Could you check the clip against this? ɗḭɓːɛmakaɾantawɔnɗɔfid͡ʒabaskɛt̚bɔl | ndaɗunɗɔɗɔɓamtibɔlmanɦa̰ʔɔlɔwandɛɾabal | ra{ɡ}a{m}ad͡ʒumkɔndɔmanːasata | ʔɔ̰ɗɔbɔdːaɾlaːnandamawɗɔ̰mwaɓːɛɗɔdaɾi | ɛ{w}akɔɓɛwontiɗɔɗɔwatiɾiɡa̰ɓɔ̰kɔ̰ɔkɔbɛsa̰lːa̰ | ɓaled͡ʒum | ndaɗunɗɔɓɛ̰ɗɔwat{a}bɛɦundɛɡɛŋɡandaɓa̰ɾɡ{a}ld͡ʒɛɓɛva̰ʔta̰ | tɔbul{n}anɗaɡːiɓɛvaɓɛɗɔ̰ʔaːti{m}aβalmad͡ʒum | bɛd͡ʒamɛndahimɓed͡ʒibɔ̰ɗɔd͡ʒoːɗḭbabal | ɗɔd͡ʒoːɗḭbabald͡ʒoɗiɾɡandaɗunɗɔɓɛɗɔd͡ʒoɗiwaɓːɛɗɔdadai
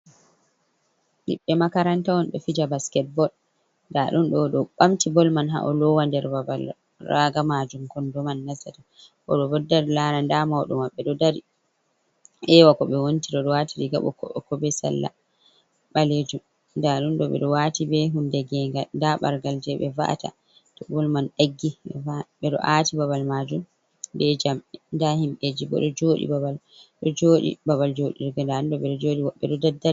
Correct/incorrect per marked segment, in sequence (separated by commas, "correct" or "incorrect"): correct, correct, correct, incorrect, correct, incorrect, incorrect